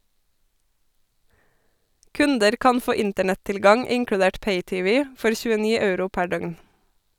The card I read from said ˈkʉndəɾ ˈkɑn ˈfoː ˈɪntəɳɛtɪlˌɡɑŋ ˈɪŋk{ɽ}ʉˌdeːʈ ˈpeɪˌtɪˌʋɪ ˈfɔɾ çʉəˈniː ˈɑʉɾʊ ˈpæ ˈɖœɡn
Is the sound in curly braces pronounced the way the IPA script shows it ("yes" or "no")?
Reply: yes